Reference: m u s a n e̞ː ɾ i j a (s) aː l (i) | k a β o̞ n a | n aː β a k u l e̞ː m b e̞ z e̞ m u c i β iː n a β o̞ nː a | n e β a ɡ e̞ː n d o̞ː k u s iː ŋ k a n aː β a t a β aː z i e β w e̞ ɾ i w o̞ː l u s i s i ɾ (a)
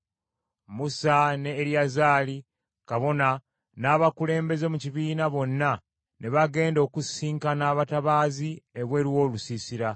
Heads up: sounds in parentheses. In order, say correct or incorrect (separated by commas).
incorrect, correct, correct